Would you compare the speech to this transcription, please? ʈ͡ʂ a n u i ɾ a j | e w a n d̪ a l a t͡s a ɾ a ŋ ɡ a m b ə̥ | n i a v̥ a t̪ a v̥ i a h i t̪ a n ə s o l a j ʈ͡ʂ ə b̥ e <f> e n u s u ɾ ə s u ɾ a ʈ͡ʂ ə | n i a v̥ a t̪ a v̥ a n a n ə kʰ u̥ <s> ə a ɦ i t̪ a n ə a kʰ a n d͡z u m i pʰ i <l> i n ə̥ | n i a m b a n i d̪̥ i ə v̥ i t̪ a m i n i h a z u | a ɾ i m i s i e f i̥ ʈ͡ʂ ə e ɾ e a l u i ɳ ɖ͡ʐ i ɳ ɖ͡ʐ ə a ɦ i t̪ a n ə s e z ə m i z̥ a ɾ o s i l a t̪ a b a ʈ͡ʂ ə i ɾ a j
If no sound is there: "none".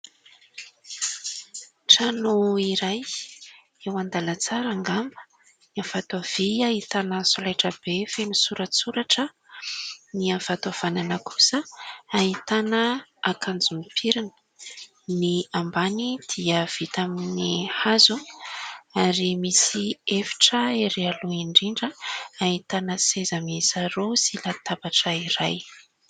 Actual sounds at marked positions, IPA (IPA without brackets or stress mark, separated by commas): f, s, ɾ